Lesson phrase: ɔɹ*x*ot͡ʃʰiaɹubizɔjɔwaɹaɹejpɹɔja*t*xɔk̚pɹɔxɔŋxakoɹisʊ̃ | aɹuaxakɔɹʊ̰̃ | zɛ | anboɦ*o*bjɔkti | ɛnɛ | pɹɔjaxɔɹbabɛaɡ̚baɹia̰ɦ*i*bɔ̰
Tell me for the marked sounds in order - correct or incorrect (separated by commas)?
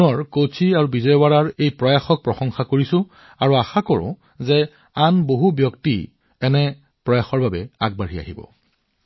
incorrect, incorrect, incorrect, correct